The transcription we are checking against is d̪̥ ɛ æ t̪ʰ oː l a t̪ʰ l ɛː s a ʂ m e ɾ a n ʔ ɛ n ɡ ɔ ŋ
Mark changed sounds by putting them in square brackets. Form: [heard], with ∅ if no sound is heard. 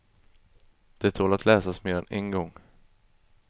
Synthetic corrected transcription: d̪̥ ɛ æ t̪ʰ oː l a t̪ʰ l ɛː s a [s] m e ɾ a n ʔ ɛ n ɡ ɔ ŋ